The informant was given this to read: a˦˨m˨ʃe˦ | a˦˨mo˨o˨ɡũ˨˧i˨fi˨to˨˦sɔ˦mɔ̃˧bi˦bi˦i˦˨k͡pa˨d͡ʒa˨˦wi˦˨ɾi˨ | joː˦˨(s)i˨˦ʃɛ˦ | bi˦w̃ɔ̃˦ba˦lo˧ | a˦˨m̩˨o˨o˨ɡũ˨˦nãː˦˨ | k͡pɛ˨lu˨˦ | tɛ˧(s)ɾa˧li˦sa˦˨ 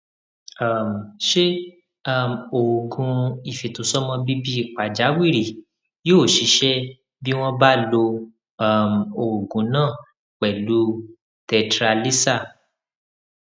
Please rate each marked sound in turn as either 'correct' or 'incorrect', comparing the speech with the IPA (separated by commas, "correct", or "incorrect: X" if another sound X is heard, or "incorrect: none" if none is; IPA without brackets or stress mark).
incorrect: ʃ, incorrect: t